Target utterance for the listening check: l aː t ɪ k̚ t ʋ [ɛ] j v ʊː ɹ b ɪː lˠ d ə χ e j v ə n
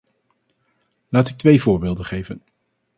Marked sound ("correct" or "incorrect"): incorrect